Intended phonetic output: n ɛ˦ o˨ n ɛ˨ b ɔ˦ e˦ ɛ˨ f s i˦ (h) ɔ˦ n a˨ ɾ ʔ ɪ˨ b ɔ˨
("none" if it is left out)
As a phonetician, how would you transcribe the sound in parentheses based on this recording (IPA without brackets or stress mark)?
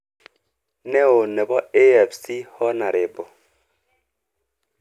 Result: h